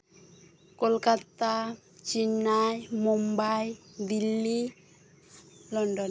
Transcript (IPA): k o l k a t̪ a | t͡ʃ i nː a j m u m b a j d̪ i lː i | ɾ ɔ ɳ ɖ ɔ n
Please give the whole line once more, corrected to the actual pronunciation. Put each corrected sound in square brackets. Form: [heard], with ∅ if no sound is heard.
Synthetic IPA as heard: k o l k a t̪ a | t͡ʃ i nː a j m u m b a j d̪ i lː i | [l] ɔ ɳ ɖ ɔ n